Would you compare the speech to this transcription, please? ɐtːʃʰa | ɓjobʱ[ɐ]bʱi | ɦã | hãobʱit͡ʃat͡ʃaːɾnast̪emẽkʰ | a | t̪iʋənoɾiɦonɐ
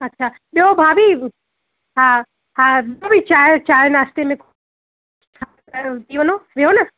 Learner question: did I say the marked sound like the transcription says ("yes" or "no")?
no